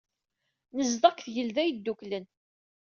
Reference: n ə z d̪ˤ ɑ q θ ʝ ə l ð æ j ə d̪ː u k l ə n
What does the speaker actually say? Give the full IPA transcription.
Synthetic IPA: n ə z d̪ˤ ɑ k θ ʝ ə l ð æ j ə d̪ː u k l ə n